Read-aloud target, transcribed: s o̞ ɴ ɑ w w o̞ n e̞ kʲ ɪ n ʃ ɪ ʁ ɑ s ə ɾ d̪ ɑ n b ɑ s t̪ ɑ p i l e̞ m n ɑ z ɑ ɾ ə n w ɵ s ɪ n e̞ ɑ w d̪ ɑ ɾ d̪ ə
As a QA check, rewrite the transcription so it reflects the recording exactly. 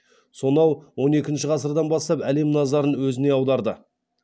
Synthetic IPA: s o̞ n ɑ w w o̞ n e̞ kʲ ɪ n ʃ ɪ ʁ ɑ s ə ɾ d̪ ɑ n b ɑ s t̪ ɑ p æ l e̞ m n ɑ z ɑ ɾ ə n w ɵ z ɪ n e̞ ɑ w d̪ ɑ ɾ d̪ ə